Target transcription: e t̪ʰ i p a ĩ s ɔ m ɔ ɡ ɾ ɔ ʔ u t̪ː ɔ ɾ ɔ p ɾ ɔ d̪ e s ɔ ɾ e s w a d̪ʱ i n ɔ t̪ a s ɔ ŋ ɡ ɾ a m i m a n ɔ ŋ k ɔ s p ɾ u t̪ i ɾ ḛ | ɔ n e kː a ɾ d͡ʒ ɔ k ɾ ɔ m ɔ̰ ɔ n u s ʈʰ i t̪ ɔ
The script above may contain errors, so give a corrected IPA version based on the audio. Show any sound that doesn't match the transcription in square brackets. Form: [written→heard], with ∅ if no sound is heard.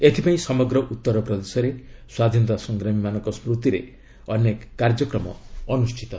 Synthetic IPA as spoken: e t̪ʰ i p a ĩ s ɔ m ɔ ɡ ɾ ɔ ʔ u t̪ː ɔ ɾ ɔ p ɾ ɔ d̪ e s ɔ ɾ e s w a d̪ʱ i n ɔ t̪ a s ɔ ŋ ɡ ɾ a m i m a n ɔ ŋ k ɔ s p ɾ u t̪ i ɾ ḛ | ɔ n e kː a ɾ d͡ʒ ɔ k ɾ ɔ m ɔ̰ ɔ n u s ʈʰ i t̪ ɔ